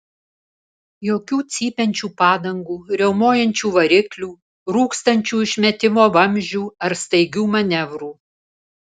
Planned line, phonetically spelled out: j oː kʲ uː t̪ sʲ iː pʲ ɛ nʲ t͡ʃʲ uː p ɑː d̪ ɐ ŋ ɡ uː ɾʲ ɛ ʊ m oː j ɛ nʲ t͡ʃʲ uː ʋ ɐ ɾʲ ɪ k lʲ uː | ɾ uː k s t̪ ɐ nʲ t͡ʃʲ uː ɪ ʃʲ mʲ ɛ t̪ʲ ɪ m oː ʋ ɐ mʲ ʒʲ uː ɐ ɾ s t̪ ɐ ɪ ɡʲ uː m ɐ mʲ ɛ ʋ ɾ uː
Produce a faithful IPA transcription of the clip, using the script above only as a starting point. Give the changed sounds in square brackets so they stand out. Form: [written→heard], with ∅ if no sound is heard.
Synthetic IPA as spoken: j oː kʲ uː t̪ sʲ iː pʲ ɛ nʲ t͡ʃʲ uː p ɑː d̪ ɐ ŋ ɡ uː ɾʲ ɛ ʊ m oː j ɛ nʲ t͡ʃʲ uː ʋ ɐ ɾʲ ɪ k lʲ uː | ɾ uː k s t̪ ɐ nʲ t͡ʃʲ uː ɪ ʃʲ mʲ ɛ t̪ʲ ɪ m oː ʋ ɐ mʲ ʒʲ uː ɐ ɾ s t̪ ɐ ɪ ɡʲ uː m ɐ [mʲ→nʲ] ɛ ʋ ɾ uː